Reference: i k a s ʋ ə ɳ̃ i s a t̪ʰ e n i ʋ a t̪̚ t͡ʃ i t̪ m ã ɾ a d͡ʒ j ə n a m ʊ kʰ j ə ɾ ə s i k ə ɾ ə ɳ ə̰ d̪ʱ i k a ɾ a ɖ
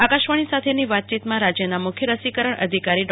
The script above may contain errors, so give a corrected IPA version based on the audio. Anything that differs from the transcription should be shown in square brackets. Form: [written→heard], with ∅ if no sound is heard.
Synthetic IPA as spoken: [i→a] k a [s→ʃ] ʋ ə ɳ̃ i s a t̪ʰ e n i ʋ a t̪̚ t͡ʃ i t̪ m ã ɾ a d͡ʒ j ə n a m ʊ kʰ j ə ɾ ə s i k ə ɾ ə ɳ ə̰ d̪ʱ i k a ɾ [a→i] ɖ